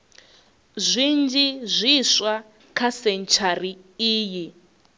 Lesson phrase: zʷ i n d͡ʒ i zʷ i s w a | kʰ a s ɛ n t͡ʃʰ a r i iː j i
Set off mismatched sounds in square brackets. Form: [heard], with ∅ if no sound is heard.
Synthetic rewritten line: zʷ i n d͡ʒ i zʷ i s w a | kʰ a s ɛ n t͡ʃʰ a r i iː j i